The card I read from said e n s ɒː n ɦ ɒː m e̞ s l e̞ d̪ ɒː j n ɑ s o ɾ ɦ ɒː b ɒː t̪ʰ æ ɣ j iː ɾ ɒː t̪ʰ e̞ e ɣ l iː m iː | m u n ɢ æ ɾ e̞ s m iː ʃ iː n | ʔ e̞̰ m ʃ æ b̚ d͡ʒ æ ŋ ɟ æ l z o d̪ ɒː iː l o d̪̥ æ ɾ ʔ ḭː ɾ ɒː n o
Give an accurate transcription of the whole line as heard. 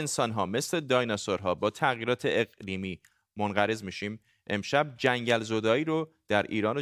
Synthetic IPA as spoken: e n s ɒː n ɦ ɒː m e̞ s l e̞ d̪ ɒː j n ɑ s o ɾ ɦ ɒː b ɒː t̪ʰ æ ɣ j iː ɾ ɒː t̪ʰ e̞ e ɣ l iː m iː | m o n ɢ æ ɾ e̞ z m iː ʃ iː m | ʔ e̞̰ m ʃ æ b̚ d͡ʒ æ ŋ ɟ æ l z o d̪ ɒː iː ɾ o d̪̥ æ ɾ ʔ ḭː ɾ ɒː n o